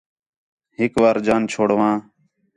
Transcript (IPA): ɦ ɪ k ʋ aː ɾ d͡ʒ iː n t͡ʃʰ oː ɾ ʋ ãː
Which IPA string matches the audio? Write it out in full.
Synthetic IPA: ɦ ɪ k ʋ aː ɾ d͡ʒ aː n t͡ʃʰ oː ɽ ʋ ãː